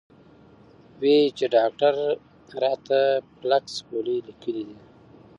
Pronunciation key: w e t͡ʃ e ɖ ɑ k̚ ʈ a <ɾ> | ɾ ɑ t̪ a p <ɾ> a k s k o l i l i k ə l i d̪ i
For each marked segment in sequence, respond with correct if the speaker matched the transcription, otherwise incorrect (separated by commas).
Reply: correct, incorrect